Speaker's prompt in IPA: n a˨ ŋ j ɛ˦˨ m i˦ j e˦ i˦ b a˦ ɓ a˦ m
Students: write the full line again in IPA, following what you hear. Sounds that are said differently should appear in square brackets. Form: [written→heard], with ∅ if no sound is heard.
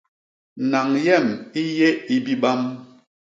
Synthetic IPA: n a˨ ŋ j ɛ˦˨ m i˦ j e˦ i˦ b [a˦→i˦] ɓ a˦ m

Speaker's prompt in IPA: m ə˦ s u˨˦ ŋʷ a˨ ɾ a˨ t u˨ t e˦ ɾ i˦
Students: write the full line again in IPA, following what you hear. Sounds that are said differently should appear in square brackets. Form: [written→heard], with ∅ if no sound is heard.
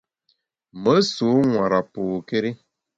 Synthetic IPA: m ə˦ s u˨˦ ŋʷ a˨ ɾ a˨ [t→p] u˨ [t→k] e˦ ɾ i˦

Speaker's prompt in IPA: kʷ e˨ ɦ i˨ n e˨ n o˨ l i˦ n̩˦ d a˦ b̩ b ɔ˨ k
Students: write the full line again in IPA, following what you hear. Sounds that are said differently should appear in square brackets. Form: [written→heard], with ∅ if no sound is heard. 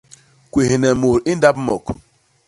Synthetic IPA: kʷ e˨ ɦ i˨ n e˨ [n→m] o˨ [l→ɾ] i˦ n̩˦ d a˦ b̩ [b→m] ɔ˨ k

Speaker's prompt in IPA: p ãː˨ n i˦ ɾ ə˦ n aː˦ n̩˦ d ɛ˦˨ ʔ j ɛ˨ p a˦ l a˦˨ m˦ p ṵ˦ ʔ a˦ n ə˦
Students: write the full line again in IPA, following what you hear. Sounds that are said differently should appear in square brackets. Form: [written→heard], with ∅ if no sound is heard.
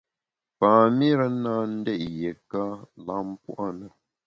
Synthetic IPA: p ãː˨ [n→m] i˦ ɾ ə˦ n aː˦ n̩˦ d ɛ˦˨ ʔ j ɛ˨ [p→k] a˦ l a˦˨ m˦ p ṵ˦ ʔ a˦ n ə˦

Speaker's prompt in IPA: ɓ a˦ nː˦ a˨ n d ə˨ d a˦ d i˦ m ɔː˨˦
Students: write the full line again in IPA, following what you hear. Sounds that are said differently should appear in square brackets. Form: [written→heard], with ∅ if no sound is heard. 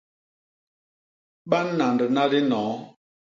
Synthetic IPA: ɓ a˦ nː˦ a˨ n d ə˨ [d→n] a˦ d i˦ [m→n] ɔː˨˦

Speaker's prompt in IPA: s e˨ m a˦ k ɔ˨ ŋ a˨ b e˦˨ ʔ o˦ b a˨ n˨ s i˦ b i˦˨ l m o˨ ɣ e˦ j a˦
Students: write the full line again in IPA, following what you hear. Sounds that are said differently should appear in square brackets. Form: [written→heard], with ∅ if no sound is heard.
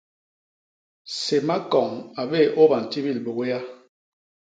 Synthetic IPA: s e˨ m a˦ k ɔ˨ ŋ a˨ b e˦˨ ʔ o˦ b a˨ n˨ [s→t] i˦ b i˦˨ l [m→b] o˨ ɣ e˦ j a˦

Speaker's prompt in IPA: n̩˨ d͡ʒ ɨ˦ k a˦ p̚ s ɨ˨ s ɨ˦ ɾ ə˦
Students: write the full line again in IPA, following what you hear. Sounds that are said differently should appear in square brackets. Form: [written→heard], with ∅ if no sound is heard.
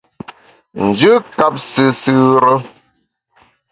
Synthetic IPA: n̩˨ d͡ʒ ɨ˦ k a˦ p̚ s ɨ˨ s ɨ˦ ɾ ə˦

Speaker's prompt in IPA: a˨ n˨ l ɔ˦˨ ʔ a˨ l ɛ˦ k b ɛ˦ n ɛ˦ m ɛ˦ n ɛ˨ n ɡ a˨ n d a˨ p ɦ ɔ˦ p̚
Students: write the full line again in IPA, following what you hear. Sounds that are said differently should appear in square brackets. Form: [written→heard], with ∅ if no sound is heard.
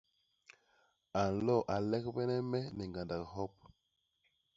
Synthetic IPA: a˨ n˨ l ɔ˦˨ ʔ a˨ l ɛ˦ k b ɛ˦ n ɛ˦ m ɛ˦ n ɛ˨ [n→ŋ] ɡ a˨ n d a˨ [p→k] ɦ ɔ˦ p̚

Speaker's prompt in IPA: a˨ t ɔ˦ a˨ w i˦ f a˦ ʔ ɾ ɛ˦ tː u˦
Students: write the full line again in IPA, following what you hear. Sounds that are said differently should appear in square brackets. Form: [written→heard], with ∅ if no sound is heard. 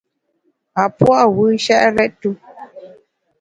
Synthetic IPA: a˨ [t→p] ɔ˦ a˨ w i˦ [f→ʃ] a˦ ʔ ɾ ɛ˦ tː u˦

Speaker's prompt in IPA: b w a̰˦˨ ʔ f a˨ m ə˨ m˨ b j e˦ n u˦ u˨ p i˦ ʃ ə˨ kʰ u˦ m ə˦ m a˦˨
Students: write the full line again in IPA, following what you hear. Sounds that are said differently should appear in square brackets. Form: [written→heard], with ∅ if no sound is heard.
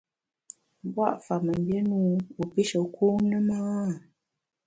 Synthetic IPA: b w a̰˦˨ ʔ f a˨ m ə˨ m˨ b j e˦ n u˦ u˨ p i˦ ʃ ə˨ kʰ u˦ [m→n] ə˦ m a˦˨

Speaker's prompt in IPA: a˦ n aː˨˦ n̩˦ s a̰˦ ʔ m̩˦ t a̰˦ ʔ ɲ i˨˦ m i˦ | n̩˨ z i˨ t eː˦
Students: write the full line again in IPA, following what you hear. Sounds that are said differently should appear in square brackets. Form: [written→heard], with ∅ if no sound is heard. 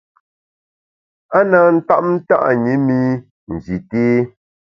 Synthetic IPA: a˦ n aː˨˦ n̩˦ [s→t] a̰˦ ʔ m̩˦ t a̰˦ ʔ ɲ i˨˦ m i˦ | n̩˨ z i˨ t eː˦

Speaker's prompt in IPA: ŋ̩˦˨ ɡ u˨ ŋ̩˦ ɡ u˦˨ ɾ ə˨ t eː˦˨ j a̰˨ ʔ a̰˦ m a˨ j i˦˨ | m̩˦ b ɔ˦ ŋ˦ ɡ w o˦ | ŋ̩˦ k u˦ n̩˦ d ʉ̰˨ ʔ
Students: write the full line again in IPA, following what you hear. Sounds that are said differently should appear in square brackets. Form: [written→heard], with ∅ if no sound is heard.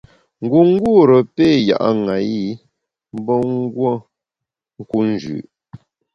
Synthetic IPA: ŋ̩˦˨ ɡ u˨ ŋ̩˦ ɡ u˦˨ ɾ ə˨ [t→p] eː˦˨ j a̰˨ ʔ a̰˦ [m→ŋ] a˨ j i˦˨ | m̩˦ b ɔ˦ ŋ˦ ɡ w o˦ | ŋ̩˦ k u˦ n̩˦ [d→d͡ʒ] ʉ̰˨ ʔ

